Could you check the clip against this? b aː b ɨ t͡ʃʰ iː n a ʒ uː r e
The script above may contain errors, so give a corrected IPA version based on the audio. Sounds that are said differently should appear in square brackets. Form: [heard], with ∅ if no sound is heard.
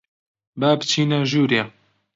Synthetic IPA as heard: b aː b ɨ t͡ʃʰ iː n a ʒ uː [ɾ] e